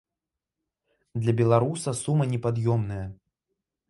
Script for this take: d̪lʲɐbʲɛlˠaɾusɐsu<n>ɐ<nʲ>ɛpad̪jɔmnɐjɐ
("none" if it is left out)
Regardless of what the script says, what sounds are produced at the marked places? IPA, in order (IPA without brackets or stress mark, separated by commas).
m, nʲ